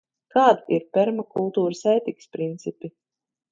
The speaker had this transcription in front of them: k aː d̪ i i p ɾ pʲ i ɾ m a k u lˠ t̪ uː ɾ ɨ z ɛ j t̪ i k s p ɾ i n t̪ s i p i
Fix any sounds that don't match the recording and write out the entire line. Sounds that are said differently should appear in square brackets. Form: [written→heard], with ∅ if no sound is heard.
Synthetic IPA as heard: k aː d̪ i i [p→∅] ɾ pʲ [i→ɛ] ɾ m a k u lˠ t̪ uː ɾ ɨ [z→s] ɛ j t̪ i k s p ɾ i n t̪ s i p i